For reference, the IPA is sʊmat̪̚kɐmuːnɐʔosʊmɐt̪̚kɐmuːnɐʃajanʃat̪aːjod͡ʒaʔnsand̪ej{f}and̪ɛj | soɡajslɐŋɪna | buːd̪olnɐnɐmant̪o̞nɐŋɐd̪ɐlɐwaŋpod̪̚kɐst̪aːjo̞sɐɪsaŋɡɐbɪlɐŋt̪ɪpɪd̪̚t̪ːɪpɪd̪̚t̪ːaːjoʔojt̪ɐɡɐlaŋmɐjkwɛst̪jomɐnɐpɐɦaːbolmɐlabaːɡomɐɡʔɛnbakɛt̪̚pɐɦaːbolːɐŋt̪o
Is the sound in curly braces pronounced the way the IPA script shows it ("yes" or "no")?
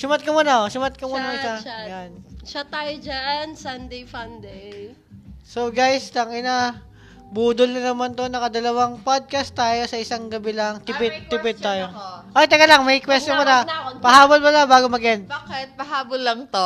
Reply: yes